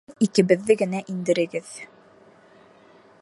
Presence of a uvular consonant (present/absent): absent